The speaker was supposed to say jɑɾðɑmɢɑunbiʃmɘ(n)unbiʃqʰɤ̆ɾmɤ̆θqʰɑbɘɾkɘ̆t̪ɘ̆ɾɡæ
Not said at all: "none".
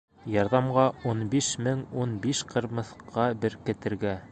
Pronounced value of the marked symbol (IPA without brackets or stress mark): ŋ